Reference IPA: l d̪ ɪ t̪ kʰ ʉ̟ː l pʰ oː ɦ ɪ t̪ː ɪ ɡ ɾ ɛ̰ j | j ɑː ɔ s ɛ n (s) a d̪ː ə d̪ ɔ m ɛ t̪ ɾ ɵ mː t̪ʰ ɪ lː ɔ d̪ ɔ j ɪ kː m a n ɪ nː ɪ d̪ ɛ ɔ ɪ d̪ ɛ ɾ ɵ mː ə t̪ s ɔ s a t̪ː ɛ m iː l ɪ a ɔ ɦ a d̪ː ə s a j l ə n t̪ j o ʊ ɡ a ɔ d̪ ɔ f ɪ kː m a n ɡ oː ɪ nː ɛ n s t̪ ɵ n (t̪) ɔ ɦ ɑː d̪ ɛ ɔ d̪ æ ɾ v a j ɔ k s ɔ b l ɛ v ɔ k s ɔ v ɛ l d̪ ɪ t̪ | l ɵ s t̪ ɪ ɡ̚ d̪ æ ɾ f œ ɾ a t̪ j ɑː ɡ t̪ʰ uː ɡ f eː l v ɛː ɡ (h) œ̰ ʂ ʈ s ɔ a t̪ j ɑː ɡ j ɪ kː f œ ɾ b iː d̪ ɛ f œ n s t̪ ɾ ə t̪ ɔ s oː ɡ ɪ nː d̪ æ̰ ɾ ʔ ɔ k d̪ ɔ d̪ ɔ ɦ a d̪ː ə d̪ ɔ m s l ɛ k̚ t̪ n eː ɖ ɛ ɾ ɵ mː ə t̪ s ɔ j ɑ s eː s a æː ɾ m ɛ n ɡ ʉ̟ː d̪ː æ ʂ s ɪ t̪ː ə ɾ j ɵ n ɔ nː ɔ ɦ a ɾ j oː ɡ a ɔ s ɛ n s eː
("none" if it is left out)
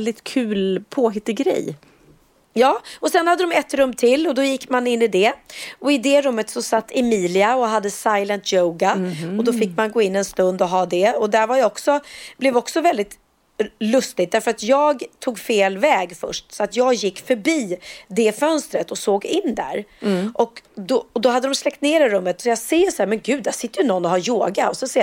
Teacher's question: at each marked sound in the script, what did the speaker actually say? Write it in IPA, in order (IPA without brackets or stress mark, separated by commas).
h, d̪, f